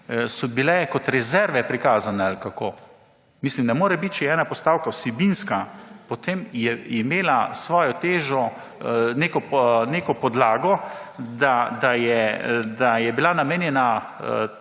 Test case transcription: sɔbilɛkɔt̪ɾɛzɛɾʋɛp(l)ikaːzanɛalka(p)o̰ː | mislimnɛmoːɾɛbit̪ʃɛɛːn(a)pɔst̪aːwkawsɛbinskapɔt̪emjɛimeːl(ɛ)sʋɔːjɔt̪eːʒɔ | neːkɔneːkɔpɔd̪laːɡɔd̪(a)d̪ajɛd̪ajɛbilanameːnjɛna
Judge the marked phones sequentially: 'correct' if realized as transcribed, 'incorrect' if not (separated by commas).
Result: incorrect, incorrect, correct, incorrect, correct